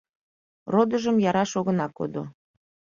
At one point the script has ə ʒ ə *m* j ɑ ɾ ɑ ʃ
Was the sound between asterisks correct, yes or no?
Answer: yes